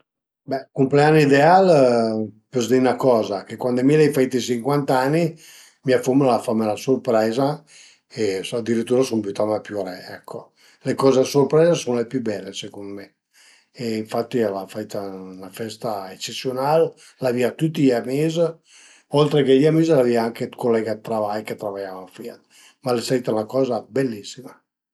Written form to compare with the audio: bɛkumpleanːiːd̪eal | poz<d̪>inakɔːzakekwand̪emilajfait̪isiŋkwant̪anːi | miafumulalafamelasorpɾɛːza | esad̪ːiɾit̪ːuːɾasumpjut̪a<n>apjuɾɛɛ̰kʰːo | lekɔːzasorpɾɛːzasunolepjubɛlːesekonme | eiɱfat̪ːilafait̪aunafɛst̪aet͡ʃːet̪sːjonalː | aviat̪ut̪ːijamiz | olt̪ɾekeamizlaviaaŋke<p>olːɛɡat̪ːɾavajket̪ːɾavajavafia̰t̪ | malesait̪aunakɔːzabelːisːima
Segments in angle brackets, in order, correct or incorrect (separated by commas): correct, incorrect, incorrect